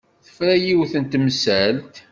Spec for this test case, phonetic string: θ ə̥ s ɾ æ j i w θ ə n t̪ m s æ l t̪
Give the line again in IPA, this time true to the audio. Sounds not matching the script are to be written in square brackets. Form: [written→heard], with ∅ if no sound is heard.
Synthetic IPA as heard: θ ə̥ [s→f] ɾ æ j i w θ ə n t̪ m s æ l t̪

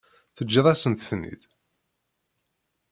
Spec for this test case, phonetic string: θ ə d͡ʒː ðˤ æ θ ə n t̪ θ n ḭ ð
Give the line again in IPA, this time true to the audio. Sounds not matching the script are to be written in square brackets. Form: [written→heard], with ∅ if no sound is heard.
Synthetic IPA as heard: θ ə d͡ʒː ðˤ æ [θ→s] ə n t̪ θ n ḭ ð

